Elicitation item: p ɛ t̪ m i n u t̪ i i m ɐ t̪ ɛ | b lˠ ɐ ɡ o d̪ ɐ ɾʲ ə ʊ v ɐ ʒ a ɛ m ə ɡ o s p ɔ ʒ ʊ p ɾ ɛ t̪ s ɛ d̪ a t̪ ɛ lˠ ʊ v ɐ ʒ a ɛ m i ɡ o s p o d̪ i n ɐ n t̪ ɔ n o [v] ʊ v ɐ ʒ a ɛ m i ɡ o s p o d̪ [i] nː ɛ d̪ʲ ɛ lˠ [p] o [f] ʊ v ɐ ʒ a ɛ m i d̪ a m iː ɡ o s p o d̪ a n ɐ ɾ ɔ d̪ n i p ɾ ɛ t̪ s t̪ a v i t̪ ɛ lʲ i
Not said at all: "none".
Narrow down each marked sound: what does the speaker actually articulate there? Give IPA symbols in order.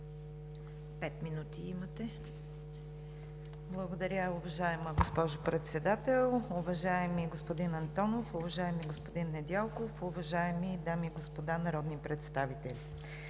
f, i, k, f

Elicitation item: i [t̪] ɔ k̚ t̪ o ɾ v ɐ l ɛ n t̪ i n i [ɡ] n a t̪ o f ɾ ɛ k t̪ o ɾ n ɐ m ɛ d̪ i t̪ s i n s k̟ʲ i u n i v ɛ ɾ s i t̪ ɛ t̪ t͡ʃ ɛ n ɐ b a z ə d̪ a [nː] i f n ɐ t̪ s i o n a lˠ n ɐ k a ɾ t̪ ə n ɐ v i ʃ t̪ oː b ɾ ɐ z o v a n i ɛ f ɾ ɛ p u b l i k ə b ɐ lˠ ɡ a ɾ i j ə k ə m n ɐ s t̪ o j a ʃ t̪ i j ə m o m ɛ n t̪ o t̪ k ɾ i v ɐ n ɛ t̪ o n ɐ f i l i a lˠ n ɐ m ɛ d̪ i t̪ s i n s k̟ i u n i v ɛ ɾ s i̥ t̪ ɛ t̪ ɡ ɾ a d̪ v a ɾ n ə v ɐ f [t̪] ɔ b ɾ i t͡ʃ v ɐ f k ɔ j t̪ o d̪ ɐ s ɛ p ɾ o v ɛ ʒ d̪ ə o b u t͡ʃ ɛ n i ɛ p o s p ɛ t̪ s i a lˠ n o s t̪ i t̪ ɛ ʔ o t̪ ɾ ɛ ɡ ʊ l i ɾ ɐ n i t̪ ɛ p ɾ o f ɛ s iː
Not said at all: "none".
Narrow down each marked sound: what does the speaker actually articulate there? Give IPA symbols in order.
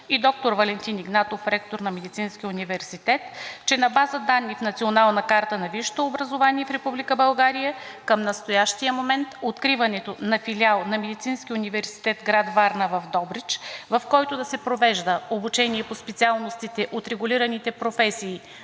d̪, ɡ, nː, d̪

